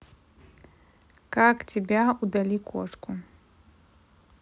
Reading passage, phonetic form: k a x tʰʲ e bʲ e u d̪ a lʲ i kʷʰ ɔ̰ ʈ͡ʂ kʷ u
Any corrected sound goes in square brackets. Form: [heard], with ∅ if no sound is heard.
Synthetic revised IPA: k a [k] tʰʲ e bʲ [a] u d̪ a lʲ i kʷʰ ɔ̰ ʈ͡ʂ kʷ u